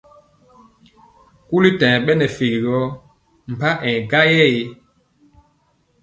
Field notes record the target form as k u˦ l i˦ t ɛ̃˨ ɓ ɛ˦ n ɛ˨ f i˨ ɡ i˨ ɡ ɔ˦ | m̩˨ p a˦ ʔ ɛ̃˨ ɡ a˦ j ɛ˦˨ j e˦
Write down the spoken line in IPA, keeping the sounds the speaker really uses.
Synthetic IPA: k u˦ l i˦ t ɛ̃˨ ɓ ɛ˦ n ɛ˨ f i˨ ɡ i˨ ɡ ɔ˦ | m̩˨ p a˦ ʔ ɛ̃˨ ɡ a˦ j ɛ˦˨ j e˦